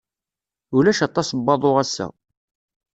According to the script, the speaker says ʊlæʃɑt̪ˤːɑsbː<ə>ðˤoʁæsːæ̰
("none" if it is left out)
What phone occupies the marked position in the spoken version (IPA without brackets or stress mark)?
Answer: ɑ